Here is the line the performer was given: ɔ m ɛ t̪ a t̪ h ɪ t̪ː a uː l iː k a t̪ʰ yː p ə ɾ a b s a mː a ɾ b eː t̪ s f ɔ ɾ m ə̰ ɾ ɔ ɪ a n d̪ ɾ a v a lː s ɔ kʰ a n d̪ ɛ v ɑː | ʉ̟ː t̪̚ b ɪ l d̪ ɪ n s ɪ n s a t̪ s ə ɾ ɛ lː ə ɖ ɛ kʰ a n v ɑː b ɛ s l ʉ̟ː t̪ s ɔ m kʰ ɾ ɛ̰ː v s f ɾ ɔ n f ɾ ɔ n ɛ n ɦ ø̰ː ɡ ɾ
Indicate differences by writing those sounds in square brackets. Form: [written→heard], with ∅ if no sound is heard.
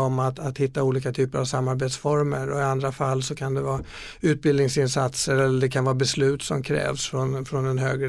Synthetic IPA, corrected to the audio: ɔ m [ɛ→a] t̪ a t̪ h ɪ t̪ː a uː l iː k a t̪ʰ yː p ə ɾ a [b→v] s a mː a ɾ b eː t̪ s f ɔ ɾ m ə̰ ɾ ɔ ɪ a n d̪ ɾ a [v→f] a lː s ɔ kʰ a n d̪ ɛ v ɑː | ʉ̟ː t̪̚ b ɪ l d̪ ɪ [n→ŋ] s ɪ n s a t̪ s ə ɾ ɛ lː ə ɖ ɛ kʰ a n v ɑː b ɛ s l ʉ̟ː t̪ s ɔ m kʰ ɾ ɛ̰ː v s f ɾ ɔ n f ɾ ɔ n ɛ n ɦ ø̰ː ɡ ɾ